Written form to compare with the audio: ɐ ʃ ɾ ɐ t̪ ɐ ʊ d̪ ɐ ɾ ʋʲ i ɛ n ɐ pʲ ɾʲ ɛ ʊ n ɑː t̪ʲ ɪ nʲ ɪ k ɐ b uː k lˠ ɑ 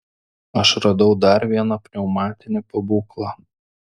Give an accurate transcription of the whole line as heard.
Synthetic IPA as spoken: ɐ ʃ ɾ ɐ d̪ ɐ ʊ d̪ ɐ ɾ ʋʲ i ɛ n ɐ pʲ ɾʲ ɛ ʊ m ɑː t̪ʲ ɪ nʲ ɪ p ɐ b uː k lˠ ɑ